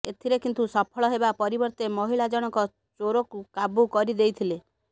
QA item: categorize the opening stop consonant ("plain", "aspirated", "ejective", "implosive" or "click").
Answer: aspirated